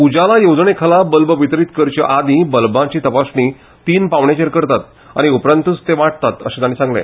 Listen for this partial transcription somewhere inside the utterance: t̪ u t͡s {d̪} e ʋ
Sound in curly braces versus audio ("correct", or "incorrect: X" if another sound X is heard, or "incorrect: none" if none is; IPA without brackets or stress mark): incorrect: t̪